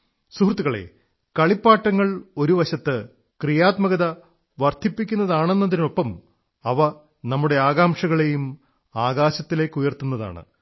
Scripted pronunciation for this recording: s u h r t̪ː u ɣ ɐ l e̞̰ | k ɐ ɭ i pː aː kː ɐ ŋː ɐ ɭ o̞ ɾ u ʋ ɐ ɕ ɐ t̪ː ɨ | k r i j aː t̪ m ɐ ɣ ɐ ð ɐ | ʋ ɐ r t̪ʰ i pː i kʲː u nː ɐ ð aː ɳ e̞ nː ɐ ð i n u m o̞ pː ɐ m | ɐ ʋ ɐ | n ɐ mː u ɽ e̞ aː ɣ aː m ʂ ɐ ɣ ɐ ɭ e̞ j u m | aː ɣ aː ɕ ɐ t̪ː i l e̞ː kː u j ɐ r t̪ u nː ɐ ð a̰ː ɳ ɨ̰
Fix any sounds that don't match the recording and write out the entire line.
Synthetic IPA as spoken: s u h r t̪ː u ɣ ɐ ɭ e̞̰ | k ɐ ɭ i pː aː ʈː ɐ ŋː ɐ ɭ o̞ ɾ u ʋ ɐ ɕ ɐ t̪ː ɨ | k r i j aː t̪ m ɐ ɣ ɐ ð ɐ | ʋ ɐ r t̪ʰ i pː i kʲː u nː ɐ ð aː ɳ e̞ nː ɐ ð i n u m o̞ pː ɐ m | ɐ ʋ ɐ | n ɐ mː u ɽ e̞ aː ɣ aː m ʂ ɐ ɣ ɐ ɭ e̞ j u m | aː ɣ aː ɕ ɐ t̪ː i l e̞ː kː u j ɐ r t̪ u nː ɐ ð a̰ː ɳ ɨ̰

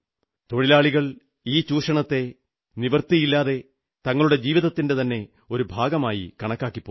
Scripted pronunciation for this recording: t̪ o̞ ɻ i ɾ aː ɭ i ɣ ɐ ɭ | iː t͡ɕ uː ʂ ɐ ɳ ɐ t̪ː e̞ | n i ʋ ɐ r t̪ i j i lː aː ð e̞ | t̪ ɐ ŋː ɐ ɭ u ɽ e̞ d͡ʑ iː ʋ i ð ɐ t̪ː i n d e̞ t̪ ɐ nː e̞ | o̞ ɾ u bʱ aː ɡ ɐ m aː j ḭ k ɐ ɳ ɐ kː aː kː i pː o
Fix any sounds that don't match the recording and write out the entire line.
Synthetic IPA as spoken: t̪ o̞ ɻ i l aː ɭ i ɣ ɐ ɭ | iː t͡ɕ uː ʂ ɐ ɳ ɐ t̪ː e̞ | n i ʋ ɐ r t̪ i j i lː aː ð e̞ | t̪ ɐ ŋː ɐ ɭ u ɽ e̞ d͡ʑ iː ʋ i ð ɐ t̪ː i n d e̞ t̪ ɐ nː e̞ | o̞ ɾ u bʱ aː ɡ ɐ m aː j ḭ k ɐ ɳ ɐ kː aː kː i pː o

